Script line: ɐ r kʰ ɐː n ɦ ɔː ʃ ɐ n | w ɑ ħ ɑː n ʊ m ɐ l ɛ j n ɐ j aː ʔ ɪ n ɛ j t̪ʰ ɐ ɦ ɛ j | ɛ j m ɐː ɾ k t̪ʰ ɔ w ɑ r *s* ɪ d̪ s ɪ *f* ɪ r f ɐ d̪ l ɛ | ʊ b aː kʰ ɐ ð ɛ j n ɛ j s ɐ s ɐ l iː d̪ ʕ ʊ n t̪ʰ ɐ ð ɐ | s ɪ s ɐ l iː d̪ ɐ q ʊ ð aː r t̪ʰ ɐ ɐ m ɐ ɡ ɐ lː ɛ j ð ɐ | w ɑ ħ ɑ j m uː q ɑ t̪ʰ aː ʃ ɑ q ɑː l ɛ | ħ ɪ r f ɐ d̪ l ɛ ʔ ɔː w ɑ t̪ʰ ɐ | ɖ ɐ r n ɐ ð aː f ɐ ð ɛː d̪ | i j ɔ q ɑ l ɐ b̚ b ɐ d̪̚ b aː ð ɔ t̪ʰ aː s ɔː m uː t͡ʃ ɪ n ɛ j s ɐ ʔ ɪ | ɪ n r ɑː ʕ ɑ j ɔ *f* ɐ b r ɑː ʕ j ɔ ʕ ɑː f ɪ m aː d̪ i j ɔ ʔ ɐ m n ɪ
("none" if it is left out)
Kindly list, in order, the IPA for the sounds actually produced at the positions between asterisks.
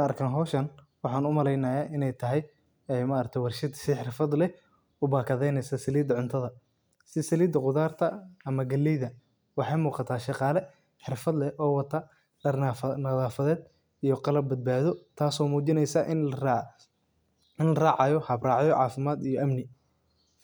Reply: ʃ, ħ, h

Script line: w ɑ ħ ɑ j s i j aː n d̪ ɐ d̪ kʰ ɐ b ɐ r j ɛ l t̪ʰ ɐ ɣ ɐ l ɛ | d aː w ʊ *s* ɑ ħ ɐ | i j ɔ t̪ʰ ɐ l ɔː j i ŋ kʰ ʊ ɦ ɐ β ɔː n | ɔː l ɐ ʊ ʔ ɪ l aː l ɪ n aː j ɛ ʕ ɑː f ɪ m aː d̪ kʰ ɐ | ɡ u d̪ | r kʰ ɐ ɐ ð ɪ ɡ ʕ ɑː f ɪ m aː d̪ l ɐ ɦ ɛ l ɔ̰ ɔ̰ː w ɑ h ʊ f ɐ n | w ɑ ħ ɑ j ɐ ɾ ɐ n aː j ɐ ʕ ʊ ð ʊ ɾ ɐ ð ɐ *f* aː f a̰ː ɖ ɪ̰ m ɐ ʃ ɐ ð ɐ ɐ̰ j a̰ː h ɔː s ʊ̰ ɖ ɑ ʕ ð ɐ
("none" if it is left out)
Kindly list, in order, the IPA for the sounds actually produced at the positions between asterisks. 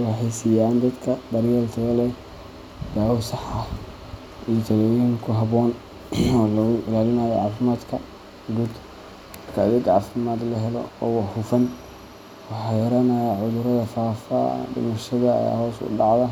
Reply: s, f

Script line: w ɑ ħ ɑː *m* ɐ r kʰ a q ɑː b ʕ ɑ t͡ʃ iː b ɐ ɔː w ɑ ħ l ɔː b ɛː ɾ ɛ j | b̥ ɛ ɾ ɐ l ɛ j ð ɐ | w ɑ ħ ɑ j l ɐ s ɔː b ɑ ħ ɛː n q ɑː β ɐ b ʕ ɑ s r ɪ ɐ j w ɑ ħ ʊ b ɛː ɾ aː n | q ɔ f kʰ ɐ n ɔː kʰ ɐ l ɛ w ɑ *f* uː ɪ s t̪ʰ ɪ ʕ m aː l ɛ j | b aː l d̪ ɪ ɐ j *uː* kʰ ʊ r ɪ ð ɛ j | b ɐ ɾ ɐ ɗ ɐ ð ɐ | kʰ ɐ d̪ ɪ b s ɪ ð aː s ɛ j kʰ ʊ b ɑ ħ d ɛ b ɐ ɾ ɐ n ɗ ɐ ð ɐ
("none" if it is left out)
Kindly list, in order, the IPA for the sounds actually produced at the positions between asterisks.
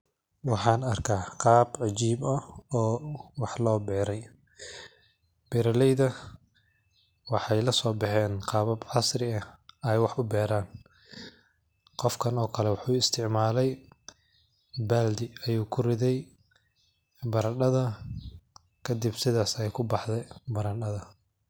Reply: n, ħ, uː

